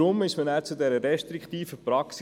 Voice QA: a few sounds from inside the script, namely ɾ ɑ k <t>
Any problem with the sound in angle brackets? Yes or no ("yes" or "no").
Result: yes